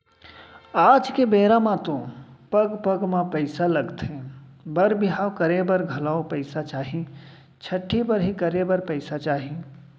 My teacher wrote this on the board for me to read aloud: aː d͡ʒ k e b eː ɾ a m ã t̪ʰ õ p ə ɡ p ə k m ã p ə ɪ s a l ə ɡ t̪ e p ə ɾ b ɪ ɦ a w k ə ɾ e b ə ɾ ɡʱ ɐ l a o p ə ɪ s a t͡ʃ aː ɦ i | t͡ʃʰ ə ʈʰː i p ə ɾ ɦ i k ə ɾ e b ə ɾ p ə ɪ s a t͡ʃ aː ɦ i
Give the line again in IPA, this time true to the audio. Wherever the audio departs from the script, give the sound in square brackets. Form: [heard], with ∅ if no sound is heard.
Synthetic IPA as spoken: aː d͡ʒ k e b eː ɾ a m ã [t̪] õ p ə ɡ p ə [ɡ] m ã p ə ɪ s a l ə ɡ t̪ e [b] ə ɾ b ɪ ɦ a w k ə ɾ e b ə ɾ ɡʱ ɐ l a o p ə ɪ s a t͡ʃ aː ɦ i | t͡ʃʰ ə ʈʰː i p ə ɾ ɦ i k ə ɾ e b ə ɾ p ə ɪ s a t͡ʃ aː ɦ i